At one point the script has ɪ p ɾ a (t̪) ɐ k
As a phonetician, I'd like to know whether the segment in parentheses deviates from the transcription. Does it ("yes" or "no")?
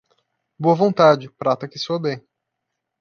no